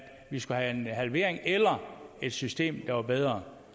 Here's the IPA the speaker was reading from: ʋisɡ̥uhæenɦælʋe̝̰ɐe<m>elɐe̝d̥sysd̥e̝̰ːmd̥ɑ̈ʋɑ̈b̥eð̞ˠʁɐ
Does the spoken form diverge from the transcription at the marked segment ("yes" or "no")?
yes